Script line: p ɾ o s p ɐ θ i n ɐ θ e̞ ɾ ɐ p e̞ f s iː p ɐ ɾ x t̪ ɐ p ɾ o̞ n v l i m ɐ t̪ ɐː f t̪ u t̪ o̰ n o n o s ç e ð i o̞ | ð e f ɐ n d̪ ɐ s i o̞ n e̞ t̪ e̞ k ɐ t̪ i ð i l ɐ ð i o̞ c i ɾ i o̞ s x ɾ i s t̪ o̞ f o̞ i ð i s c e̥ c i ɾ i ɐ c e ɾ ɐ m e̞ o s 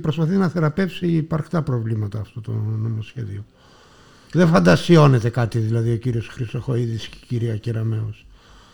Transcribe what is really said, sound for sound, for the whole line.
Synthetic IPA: p ɾ o s p ɐ θ i n ɐ θ e̞ ɾ ɐ p e̞ f s iː p ɐ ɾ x t̪ ɐ p ɾ o̞ v l i m ɐ t̪ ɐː f t̪ o t̪ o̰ n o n o s ç e ð i o̞ | ð e f ɐ n d̪ ɐ s i o̞ n e̞ t̪ e̞ k ɐ t̪ i ð i l ɐ ð i o̞ c i ɾ i o̞ s x ɾ i s t̪ o̞ x o̞ i ð i s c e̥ c i ɾ i ɐ c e ɾ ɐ m e̞ o s